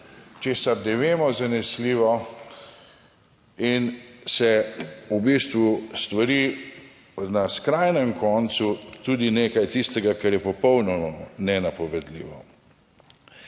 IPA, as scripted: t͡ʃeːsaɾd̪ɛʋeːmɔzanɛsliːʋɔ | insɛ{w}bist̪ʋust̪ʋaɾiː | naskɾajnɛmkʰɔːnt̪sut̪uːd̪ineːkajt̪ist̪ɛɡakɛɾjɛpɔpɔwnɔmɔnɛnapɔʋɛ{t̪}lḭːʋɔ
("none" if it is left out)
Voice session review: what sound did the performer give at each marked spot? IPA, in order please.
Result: u, d̪

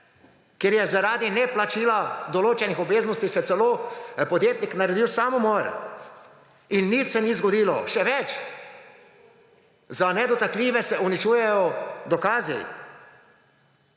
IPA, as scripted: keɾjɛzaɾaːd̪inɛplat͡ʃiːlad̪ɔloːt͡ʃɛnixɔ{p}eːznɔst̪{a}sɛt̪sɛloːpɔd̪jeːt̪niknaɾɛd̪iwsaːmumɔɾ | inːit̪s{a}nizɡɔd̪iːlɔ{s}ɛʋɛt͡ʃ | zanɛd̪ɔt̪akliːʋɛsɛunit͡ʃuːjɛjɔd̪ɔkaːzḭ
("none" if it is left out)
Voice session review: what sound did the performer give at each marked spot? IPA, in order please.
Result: b, i, ɛ, ʃ

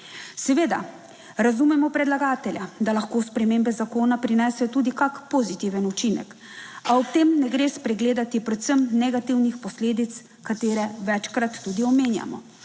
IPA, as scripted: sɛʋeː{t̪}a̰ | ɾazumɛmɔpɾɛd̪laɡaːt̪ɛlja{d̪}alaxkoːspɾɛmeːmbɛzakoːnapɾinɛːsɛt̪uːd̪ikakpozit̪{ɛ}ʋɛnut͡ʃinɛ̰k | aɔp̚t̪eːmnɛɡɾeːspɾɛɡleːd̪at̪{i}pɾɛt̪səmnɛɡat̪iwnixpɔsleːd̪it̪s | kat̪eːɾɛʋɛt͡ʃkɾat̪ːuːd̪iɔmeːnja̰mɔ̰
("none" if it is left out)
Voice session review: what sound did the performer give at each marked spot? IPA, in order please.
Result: d̪, d̪, i, i

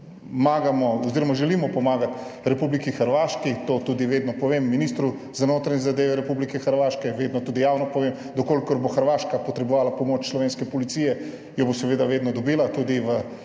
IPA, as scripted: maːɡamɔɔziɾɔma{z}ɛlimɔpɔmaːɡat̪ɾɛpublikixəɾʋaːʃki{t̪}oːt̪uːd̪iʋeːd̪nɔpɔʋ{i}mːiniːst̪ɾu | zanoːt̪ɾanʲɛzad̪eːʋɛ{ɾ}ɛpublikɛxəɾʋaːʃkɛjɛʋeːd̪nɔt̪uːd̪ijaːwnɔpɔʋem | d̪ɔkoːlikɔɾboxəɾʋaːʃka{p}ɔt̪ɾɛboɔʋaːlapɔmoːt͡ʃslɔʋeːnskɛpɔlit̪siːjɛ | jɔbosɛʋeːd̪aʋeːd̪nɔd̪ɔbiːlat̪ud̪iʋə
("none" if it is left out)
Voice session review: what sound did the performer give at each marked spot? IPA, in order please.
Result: ʒ, t̪, e, ɾ, p

